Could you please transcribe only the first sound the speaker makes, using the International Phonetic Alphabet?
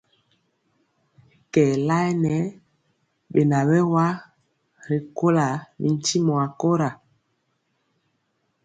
k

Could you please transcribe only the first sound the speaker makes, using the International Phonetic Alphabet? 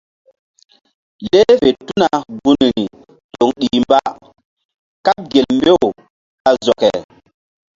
l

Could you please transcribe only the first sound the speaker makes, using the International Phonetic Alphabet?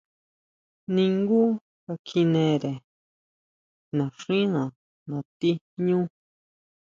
n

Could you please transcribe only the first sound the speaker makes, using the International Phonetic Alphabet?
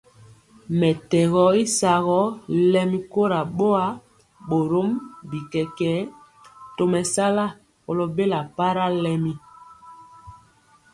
m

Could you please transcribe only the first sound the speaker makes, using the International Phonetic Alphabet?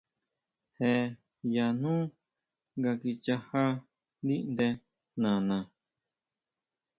h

